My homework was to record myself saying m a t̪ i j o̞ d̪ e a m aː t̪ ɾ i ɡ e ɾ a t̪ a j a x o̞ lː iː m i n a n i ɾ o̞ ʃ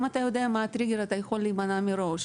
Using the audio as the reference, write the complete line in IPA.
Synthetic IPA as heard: m a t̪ a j o̞ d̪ e a m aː t̪ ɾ i ɡ e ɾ a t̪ a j e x o̞ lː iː m a n a m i ɾ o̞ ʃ